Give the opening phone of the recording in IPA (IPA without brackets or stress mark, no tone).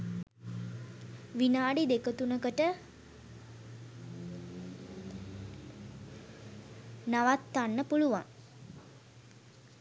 ʋ